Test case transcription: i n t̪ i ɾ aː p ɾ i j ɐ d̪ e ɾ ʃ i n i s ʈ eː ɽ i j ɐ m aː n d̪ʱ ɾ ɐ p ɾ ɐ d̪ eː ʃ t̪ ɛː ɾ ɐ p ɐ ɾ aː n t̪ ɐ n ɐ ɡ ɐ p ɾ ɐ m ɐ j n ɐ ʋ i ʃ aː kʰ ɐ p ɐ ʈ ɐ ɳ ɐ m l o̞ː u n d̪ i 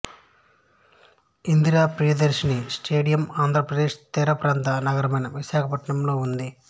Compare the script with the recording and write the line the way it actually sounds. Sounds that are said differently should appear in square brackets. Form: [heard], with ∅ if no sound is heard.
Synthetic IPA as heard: i n [d̪] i ɾ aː p ɾ i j ɐ d̪ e ɾ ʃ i n i s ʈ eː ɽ i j ɐ m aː n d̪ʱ ɾ ɐ p ɾ ɐ d̪ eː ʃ t̪ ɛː ɾ ɐ p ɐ ɾ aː n t̪ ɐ n ɐ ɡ ɐ [∅] ɾ ɐ m ɐ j n ɐ ʋ i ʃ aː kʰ ɐ p ɐ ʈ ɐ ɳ ɐ m l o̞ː u n d̪ i